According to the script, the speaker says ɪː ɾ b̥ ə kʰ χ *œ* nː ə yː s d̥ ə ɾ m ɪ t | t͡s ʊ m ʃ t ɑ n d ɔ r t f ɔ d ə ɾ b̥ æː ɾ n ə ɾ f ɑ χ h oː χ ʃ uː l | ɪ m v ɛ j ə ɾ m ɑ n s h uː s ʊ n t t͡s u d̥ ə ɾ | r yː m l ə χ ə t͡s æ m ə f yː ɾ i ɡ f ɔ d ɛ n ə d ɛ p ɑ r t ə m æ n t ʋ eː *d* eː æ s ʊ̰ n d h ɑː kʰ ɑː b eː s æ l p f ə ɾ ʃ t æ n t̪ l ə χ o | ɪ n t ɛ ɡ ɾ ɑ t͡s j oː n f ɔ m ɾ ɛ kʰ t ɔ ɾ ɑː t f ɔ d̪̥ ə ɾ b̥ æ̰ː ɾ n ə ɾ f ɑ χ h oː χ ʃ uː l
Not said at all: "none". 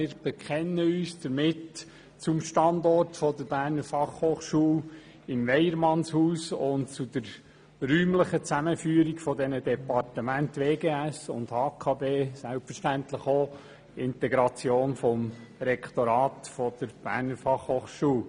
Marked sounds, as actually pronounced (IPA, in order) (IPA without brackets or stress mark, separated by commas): ɛ, ɡ